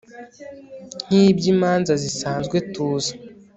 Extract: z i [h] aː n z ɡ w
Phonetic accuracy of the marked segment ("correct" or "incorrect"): incorrect